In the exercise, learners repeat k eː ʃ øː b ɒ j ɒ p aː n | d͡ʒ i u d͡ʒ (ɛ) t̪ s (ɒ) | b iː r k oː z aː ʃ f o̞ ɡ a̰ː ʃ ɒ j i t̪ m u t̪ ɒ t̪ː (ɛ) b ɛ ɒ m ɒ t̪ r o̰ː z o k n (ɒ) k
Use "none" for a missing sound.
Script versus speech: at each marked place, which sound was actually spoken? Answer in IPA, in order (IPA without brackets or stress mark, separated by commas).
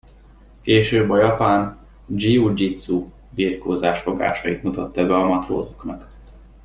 i, u, ɛ, ɒ